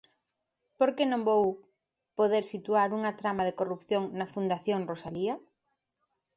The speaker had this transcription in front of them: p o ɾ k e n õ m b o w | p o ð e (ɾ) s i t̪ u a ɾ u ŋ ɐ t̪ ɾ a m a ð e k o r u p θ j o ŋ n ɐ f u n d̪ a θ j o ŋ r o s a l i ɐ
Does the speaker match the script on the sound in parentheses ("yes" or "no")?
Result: yes